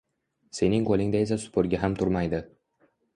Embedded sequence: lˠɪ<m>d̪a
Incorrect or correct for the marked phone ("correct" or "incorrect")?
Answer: incorrect